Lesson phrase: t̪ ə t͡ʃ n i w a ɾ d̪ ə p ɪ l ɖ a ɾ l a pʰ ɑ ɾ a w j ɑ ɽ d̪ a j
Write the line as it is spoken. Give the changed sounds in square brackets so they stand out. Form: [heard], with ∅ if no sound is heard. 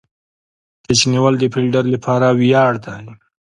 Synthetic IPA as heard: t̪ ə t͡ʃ n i w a [l] d̪ ə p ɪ l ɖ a ɾ l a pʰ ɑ ɾ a w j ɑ ɽ d̪ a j